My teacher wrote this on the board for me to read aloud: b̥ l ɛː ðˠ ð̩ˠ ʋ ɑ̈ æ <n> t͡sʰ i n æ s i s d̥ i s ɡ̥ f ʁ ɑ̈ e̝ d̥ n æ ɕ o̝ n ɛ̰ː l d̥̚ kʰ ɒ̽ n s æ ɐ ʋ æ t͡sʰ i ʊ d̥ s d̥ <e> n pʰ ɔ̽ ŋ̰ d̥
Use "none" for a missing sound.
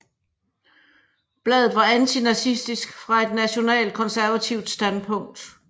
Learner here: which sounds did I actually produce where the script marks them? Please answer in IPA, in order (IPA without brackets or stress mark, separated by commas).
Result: n, æ